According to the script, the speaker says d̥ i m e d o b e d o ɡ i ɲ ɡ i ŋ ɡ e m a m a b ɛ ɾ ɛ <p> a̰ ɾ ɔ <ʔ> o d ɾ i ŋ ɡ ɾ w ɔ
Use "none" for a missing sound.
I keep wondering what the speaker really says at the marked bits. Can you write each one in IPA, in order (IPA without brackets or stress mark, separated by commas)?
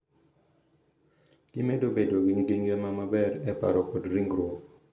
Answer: p, k